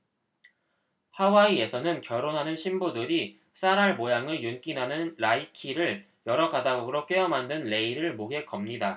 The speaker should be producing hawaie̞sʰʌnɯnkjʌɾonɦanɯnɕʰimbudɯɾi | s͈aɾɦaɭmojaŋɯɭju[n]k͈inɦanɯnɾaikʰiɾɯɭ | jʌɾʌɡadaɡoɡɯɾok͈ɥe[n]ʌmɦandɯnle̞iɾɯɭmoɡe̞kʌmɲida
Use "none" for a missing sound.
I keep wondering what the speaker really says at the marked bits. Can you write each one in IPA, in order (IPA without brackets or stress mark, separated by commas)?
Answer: n, none